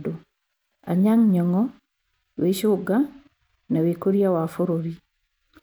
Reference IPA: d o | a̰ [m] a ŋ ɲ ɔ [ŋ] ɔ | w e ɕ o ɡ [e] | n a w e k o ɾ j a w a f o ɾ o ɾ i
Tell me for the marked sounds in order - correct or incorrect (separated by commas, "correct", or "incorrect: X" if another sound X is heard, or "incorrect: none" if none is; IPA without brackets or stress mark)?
incorrect: ɲ, correct, incorrect: a